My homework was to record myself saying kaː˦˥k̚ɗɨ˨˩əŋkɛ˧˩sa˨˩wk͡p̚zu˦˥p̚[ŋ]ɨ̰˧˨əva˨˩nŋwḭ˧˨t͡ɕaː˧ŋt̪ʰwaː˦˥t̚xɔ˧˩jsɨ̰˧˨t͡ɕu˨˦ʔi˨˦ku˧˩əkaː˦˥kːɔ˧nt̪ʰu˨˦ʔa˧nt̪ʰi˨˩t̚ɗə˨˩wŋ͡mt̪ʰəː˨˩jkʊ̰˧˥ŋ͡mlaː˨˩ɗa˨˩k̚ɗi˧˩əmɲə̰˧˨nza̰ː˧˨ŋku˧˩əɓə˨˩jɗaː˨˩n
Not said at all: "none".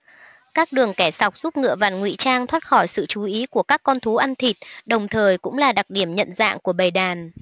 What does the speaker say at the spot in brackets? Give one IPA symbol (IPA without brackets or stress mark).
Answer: ŋ